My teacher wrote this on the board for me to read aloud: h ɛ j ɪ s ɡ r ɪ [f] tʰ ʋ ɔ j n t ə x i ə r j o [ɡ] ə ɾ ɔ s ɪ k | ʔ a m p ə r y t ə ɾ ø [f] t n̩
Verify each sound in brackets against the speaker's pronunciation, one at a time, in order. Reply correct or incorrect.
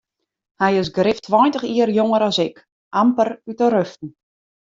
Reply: correct, incorrect: ŋ, correct

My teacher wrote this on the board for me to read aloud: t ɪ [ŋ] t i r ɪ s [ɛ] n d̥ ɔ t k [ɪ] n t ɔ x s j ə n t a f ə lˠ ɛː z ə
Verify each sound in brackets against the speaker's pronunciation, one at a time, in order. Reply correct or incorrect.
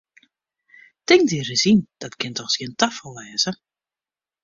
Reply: correct, incorrect: i, correct

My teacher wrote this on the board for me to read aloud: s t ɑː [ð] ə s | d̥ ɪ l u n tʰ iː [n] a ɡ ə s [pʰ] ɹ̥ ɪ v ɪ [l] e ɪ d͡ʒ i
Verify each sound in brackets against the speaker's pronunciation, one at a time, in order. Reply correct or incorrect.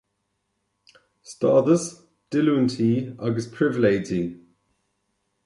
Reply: correct, incorrect: none, correct, correct

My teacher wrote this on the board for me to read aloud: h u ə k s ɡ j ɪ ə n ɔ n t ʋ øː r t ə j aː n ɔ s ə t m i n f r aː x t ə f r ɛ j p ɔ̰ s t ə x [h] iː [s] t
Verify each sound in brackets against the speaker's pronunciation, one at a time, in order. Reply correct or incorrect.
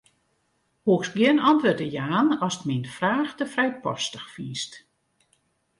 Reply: incorrect: f, correct

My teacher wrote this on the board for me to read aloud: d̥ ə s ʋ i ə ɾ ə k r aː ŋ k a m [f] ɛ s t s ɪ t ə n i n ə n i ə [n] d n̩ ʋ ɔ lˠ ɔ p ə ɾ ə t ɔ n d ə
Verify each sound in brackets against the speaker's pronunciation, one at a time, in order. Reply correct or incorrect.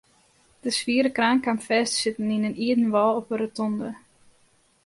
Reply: correct, incorrect: none

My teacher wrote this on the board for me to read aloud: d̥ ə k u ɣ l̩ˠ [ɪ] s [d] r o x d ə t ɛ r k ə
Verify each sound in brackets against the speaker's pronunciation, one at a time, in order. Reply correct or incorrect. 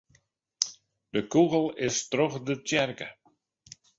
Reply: correct, incorrect: t

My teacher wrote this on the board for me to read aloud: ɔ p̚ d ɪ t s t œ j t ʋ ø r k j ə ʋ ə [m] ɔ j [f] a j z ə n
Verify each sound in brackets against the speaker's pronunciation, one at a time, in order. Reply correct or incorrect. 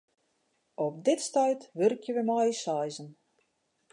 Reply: correct, incorrect: s

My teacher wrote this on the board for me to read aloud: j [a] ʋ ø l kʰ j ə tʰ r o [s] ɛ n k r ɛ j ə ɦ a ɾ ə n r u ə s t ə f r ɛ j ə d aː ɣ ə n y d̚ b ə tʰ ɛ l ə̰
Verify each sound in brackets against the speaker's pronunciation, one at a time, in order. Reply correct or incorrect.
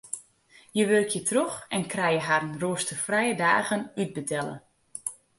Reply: incorrect: ə, incorrect: x

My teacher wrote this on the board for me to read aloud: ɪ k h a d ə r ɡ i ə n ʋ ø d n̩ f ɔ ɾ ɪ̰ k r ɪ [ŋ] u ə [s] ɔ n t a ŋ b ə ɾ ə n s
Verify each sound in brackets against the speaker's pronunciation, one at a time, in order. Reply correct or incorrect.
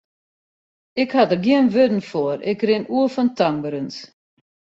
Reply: incorrect: n, incorrect: f

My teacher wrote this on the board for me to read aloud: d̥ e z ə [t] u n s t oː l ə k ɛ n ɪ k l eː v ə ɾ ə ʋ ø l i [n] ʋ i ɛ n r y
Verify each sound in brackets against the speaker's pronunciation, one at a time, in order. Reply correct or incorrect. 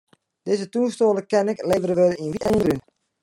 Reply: correct, correct

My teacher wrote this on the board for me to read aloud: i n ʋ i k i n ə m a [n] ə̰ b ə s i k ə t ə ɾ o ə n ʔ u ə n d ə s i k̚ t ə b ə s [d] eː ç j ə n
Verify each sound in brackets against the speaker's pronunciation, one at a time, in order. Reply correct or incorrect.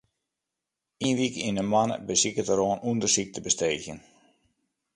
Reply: correct, incorrect: t

